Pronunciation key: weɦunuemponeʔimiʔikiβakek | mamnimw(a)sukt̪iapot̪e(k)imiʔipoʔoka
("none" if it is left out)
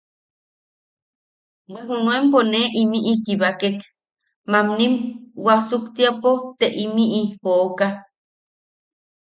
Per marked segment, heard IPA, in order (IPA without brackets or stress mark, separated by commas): a, ʔ